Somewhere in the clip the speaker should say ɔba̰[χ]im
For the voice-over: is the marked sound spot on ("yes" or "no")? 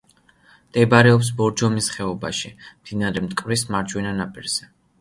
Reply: no